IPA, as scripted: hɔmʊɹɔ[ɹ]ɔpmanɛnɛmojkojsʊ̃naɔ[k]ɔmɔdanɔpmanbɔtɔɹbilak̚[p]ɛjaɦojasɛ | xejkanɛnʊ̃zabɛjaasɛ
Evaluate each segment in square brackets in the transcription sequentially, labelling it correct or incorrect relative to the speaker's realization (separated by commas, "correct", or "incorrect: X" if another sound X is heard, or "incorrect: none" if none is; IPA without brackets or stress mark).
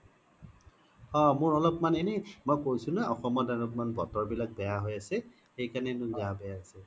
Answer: incorrect: l, incorrect: x, incorrect: b